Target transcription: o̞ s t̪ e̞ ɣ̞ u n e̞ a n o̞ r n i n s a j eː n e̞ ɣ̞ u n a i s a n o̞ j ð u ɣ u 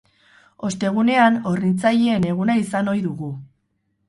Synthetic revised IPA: o̞ s t̪ e̞ ɣ̞ u n e̞ a n o̞ r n i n t͡s a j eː n e̞ ɣ̞ u n a i s a n o̞ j ð u ɣ u